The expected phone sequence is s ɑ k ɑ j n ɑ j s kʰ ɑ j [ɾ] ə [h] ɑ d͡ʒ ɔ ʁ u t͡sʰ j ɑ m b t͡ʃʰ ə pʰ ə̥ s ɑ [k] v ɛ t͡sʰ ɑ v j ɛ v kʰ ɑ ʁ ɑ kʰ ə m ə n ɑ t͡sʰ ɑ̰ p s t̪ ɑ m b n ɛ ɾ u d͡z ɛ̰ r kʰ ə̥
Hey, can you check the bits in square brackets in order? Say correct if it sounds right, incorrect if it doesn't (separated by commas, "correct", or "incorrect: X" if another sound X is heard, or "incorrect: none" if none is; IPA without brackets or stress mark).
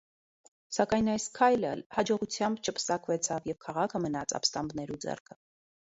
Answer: incorrect: l, correct, correct